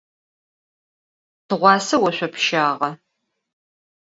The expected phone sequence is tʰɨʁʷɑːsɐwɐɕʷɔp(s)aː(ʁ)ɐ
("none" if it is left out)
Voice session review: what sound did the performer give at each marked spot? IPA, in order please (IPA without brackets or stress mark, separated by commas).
ʃ, ʁ